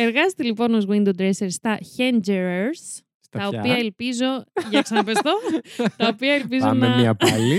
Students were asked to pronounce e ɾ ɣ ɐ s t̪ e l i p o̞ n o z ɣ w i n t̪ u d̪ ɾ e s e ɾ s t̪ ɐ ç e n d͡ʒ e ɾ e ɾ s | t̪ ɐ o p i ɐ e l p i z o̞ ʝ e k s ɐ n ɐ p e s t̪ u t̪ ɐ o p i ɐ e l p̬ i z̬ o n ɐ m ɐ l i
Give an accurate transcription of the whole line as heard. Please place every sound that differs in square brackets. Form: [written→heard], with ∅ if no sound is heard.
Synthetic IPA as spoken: e ɾ ɣ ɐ s t̪ e l i p o̞ n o z ɣ w i n [t̪→d̪] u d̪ ɾ e s e ɾ s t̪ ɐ ç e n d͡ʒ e ɾ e ɾ s | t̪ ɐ o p i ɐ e l p i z o̞ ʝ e k s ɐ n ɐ p e s t̪ [u→o] t̪ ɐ o p i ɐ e l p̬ i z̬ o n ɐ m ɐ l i